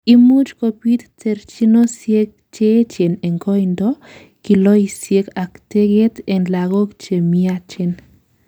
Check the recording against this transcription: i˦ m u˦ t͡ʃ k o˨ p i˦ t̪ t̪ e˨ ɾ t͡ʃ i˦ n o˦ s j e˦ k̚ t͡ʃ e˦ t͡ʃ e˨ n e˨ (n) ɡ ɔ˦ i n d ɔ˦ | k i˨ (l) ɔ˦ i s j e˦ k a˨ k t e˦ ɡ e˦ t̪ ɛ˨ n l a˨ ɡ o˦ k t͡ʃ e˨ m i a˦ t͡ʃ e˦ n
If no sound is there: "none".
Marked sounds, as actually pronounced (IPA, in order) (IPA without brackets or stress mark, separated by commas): ŋ, l